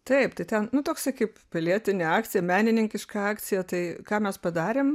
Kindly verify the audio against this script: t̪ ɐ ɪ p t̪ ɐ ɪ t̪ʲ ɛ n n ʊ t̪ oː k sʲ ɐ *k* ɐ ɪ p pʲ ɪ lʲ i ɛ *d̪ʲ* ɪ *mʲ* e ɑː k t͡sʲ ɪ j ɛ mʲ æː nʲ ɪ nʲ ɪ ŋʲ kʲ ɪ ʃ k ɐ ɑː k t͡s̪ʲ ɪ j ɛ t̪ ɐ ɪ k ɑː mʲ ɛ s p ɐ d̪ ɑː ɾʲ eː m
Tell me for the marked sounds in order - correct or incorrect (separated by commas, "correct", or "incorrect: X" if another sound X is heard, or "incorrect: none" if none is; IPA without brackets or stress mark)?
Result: correct, incorrect: t̪ʲ, incorrect: nʲ